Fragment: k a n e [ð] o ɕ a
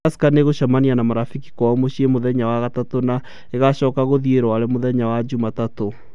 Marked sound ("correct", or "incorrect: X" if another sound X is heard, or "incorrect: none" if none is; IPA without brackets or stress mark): incorrect: ɣ